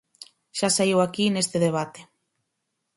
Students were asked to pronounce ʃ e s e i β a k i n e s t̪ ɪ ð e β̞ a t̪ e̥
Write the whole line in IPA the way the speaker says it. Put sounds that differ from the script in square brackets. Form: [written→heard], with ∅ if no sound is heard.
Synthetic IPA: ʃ [e→a] s [e→a] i [β→w] a k i n e s t̪ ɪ ð e β̞ a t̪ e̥